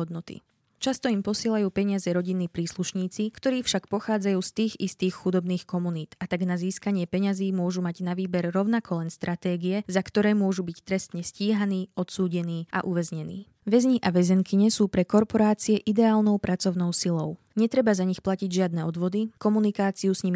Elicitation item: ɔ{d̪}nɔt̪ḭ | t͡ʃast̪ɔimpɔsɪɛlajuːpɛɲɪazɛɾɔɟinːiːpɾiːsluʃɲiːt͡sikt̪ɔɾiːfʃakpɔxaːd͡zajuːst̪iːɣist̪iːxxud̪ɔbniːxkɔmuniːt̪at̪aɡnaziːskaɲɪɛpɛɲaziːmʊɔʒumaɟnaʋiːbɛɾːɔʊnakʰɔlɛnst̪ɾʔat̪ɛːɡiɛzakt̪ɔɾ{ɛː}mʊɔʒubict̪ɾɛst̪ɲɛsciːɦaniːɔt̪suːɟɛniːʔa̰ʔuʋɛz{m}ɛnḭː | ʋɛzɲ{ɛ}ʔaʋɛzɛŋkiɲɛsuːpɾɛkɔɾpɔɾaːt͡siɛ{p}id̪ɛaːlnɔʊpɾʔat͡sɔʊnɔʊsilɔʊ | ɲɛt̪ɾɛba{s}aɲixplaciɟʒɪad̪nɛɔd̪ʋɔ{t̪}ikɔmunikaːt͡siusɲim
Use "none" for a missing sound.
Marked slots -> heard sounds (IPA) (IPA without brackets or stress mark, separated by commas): d̪, ɛː, ɲ, i, ʔ, z, d̪